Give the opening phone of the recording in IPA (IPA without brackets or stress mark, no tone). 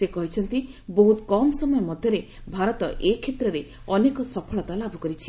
s